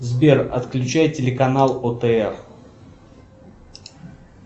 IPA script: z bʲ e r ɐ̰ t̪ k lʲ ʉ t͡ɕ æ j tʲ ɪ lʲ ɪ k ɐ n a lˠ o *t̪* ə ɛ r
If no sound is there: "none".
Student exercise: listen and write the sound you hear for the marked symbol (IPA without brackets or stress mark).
t̪